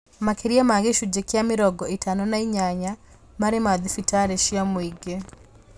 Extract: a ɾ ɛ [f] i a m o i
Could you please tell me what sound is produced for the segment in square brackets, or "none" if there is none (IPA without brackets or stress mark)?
ʃ